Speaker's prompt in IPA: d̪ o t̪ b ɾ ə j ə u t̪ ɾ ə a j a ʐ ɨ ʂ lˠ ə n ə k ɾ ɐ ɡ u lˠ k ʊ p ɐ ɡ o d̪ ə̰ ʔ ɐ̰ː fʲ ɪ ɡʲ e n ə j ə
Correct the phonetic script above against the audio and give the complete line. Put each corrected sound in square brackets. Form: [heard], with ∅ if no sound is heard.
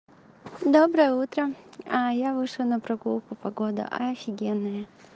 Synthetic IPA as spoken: d̪ o [∅] b ɾ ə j ə u t̪ ɾ ə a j a [v] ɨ ʂ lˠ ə n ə [p] ɾ ɐ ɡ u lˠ k ʊ p ɐ ɡ o d̪ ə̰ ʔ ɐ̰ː fʲ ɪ ɡʲ e [nː] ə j ə